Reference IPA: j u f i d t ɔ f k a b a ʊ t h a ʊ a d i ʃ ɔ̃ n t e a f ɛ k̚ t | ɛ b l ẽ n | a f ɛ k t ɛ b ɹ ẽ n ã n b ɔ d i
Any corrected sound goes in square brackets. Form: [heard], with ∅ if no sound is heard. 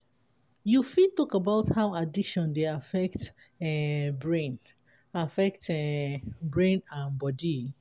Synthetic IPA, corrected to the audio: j u f i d t ɔ [∅] k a b a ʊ t h a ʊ a d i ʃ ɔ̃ n [d] e a f ɛ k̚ t | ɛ b [ɹ] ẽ n | a f ɛ k t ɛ b ɹ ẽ n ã n b ɔ d i